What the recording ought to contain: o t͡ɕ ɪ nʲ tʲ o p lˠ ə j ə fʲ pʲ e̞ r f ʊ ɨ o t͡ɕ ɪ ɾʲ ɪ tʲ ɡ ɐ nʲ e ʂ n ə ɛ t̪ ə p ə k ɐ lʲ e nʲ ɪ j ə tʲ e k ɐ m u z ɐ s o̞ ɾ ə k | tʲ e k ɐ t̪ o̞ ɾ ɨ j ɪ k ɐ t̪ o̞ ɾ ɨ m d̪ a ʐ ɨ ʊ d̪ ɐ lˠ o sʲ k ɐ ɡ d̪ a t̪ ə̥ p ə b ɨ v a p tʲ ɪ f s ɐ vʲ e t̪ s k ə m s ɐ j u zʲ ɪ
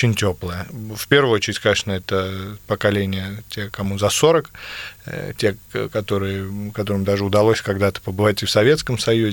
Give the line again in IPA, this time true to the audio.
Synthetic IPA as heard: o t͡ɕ ɪ nʲ tʲ o p lˠ ə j ə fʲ pʲ e̞ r v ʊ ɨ o t͡ɕ ɪ ɾʲ ɪ tʲ k ɐ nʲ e ʂ n ə ɛ t̪ ə p ə k ɐ lʲ e nʲ ɪ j ə tʲ e k ɐ m u z ɐ s o̞ ɾ ə k | tʲ e k ɐ t̪ o̞ ɾ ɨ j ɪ k ɐ t̪ o̞ ɾ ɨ m d̪ a ʐ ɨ ʊ d̪ ɐ lˠ o sʲ k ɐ ɡ d̪ a t̪ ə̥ p ə b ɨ v a tʲ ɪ f s ɐ vʲ e t̪ s k ə m s ɐ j u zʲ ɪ